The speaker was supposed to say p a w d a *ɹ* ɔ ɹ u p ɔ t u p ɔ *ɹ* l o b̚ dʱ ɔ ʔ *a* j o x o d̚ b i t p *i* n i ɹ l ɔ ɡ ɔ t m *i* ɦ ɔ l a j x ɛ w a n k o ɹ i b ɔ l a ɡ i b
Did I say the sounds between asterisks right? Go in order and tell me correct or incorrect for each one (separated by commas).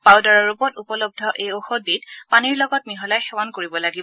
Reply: correct, incorrect, incorrect, incorrect, correct